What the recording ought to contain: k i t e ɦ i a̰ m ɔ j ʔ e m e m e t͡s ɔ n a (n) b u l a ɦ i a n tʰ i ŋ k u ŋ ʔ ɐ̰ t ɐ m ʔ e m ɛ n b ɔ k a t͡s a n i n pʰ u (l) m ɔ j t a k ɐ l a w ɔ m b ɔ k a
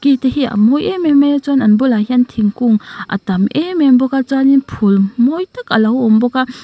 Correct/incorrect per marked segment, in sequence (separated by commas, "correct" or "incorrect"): correct, correct